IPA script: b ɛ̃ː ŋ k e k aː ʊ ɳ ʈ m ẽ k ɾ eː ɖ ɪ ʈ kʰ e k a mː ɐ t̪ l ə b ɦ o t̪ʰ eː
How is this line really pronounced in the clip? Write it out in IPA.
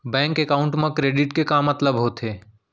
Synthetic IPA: b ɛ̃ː ŋ k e k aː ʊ ɳ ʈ m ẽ k ɾ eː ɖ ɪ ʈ k e k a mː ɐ t̪ l ə b ɦ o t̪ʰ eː